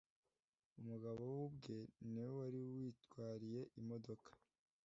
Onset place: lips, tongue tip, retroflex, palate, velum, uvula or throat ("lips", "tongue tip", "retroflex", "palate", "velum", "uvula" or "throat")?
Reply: lips